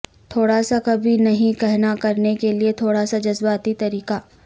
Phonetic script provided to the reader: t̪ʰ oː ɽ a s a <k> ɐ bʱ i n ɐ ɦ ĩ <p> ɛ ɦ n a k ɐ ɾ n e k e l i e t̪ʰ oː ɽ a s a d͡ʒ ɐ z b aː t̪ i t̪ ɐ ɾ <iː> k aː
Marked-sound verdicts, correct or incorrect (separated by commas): correct, incorrect, correct